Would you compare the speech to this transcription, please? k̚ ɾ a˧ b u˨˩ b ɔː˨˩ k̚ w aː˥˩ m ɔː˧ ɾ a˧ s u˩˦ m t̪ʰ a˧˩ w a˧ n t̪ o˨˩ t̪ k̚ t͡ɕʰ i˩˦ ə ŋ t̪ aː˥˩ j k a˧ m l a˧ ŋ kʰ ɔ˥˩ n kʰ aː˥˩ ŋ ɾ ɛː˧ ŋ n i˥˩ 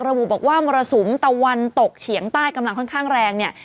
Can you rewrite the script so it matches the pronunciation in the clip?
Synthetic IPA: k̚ ɾ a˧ b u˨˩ b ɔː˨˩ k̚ w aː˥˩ m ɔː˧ ɾ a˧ s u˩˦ m t̪ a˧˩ w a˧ n t̪ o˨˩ k̚ t͡ɕʰ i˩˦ ə ŋ t̪ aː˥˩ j k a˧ m l a˧ ŋ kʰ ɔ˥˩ n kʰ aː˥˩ ŋ ɾ ɛː˧ ŋ n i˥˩